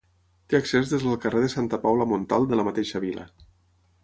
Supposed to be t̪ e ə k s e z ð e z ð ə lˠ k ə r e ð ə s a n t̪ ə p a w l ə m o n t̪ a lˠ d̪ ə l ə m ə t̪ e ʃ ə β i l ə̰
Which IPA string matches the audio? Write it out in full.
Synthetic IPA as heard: t̪ e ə k s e z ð e z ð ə lˠ k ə r e ð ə s a n t̪ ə p a w l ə m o n t̪ a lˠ d̪ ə l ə m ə t̪ e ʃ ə β i l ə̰